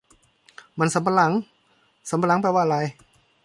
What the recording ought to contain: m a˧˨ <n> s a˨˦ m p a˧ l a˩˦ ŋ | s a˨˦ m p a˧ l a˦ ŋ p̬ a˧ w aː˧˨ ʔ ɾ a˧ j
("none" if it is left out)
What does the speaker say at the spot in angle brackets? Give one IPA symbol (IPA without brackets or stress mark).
n